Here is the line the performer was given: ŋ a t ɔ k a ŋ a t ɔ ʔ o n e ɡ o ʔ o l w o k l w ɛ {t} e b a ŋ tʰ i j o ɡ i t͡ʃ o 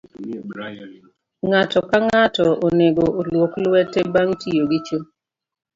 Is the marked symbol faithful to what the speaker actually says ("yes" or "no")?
yes